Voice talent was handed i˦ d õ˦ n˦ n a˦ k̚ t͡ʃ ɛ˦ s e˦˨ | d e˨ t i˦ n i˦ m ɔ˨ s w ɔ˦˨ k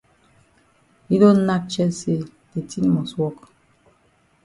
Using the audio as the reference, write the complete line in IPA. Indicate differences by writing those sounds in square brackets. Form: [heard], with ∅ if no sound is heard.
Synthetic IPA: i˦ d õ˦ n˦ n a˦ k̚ t͡ʃ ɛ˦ s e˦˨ | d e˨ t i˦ n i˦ m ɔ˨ s w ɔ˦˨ k